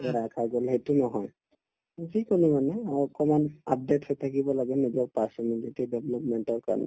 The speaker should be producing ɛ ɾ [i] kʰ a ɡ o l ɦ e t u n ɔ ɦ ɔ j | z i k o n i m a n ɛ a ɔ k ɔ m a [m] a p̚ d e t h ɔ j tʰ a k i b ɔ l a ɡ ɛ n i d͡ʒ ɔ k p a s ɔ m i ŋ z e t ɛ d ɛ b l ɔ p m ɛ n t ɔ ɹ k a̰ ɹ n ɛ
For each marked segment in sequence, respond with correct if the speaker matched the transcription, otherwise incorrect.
incorrect: a, incorrect: n

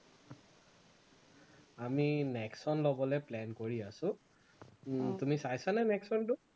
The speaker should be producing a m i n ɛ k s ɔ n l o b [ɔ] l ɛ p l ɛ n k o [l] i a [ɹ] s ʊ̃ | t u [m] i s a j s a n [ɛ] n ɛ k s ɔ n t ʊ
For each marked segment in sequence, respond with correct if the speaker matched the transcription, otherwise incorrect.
correct, incorrect: ɹ, incorrect: none, correct, correct

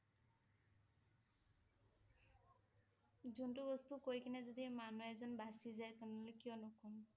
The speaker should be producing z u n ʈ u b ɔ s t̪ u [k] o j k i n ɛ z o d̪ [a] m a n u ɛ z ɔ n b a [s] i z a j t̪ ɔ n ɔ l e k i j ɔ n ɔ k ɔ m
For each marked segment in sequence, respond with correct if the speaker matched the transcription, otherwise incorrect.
correct, incorrect: i, correct

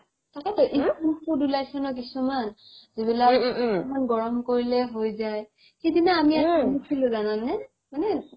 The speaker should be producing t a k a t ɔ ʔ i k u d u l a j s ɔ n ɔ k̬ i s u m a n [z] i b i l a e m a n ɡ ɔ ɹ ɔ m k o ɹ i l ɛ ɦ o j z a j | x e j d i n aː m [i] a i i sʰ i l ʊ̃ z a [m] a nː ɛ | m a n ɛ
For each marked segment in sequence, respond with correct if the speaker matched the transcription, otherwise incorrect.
correct, correct, incorrect: n

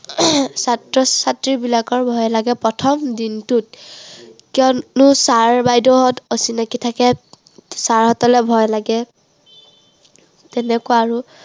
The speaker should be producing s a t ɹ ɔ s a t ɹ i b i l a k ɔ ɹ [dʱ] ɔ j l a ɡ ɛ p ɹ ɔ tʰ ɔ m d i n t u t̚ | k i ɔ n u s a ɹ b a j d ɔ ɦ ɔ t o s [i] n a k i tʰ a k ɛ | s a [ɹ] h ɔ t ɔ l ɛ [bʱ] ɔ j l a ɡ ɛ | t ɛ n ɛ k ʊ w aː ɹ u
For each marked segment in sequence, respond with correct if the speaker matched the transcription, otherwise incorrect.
incorrect: bʱ, correct, correct, correct

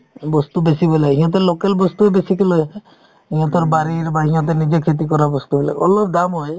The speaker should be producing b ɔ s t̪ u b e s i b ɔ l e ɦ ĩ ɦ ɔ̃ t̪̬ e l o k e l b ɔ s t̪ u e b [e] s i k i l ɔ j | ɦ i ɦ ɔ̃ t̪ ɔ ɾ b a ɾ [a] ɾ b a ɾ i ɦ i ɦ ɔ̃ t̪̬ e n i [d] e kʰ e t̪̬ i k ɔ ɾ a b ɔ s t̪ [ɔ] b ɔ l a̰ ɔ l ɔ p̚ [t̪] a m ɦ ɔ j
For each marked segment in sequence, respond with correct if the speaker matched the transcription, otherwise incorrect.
correct, incorrect: i, incorrect: d͡ʒ, incorrect: u, incorrect: d̪

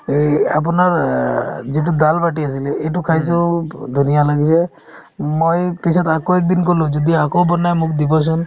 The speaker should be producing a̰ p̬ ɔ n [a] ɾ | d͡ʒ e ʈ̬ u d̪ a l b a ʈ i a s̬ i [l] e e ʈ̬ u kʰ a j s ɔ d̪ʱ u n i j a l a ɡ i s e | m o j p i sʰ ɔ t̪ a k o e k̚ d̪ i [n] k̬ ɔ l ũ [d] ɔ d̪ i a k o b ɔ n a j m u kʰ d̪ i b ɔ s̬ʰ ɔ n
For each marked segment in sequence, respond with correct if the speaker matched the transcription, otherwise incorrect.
correct, correct, correct, incorrect: d͡ʒ

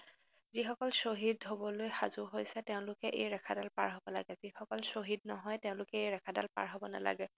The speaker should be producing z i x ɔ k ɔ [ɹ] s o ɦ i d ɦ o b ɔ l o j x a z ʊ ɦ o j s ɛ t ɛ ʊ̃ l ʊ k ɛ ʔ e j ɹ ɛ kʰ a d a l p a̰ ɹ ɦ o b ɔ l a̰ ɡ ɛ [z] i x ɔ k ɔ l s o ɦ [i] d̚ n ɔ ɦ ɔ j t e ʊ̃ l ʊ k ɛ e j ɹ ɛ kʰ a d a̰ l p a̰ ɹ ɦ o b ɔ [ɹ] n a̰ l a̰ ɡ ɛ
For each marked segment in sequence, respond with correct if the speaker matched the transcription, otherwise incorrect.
incorrect: l, correct, correct, incorrect: none

